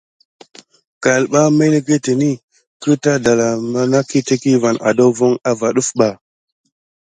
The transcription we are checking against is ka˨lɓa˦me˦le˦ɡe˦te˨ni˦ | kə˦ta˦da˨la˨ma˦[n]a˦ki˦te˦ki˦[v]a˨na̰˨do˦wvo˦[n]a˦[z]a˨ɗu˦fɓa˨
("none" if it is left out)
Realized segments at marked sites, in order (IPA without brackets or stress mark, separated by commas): n, v, ŋ, v